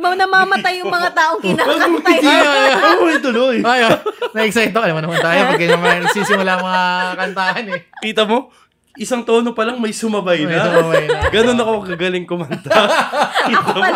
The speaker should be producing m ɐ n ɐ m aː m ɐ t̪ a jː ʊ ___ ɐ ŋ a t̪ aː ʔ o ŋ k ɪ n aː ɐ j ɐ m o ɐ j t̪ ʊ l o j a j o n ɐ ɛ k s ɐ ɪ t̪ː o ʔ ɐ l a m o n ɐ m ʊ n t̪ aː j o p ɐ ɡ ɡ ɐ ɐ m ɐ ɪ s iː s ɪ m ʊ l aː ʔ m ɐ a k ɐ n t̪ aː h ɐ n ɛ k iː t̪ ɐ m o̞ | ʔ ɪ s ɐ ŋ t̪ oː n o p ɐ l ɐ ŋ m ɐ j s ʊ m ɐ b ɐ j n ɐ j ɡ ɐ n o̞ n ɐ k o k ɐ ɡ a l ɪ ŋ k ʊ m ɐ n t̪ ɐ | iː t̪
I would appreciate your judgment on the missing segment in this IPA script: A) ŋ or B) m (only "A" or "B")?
B